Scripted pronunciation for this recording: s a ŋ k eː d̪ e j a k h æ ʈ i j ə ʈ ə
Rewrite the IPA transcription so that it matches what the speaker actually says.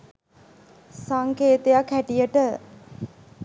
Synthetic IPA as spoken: s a ŋ k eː t̪ e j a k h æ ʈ i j ə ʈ ə

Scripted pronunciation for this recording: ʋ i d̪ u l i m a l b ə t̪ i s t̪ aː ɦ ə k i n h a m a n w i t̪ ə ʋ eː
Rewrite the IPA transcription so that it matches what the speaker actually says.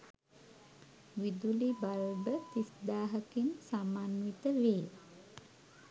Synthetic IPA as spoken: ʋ i d̪ u l i b a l b ə t̪ i s d̪ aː ɦ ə k i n s a m a n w i t̪ ə ʋ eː

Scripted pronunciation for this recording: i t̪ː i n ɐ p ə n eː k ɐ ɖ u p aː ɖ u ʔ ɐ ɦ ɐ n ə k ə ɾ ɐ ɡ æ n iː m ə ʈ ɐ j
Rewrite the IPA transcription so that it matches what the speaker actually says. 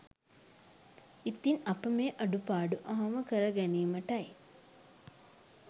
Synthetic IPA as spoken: i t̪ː i n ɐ p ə m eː ʔ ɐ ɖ u p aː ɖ u ʔ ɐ ɦ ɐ m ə k ə ɾ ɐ ɡ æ n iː m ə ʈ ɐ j

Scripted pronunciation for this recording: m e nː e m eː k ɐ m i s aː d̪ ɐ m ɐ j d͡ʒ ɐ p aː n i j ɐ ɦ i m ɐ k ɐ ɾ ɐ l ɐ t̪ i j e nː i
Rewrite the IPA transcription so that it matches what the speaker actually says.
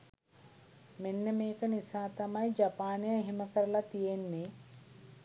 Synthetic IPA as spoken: m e nː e m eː k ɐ n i s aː t̪ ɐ m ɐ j d͡ʒ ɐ p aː n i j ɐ ɦ i m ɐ k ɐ ɾ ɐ l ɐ t̪ i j e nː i

